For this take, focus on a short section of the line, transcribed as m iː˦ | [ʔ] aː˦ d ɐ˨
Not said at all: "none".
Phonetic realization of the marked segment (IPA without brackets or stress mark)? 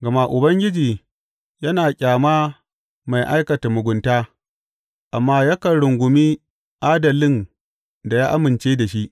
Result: ʔ